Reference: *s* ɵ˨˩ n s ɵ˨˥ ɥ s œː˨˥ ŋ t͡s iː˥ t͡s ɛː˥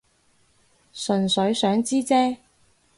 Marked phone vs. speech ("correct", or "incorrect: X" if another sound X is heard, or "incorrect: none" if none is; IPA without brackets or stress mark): correct